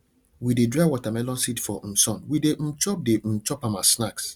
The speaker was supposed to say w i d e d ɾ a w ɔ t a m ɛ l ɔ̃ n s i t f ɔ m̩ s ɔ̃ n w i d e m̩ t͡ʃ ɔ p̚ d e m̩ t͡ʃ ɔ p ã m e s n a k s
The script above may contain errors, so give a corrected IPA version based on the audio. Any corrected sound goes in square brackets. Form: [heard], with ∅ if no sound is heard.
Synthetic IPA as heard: w i d e d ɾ a w ɔ t a m ɛ l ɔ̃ n s i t f ɔ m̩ s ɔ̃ n w i d e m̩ t͡ʃ ɔ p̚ d e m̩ t͡ʃ ɔ p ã m [a] s n a k s